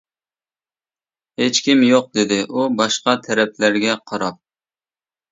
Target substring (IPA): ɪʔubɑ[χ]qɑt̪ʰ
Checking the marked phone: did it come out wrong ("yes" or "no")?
yes